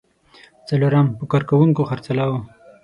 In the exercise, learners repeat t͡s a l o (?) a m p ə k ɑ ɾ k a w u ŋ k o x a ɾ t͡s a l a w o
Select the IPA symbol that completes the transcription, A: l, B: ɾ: B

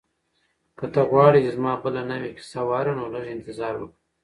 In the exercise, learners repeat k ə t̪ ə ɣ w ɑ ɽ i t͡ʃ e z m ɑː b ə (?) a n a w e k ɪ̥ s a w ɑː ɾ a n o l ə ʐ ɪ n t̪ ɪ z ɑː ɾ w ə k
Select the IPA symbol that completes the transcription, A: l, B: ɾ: A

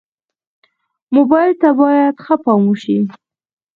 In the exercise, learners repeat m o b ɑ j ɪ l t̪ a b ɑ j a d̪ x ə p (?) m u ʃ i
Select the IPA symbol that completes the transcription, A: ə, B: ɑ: B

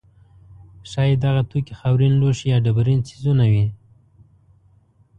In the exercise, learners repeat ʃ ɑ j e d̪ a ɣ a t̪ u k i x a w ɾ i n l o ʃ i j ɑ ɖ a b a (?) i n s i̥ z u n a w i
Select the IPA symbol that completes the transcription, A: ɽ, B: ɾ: B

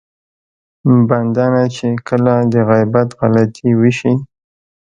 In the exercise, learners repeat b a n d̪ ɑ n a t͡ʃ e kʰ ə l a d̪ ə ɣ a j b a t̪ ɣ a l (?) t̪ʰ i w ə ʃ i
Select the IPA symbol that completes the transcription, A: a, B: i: A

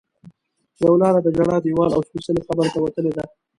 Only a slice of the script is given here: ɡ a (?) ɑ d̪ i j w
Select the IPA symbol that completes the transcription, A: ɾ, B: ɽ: B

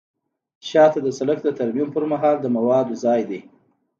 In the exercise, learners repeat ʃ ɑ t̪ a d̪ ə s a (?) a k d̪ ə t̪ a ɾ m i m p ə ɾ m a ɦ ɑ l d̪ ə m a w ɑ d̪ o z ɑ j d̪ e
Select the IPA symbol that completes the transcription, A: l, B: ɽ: A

